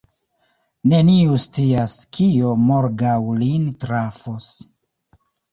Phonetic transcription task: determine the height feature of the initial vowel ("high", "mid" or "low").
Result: mid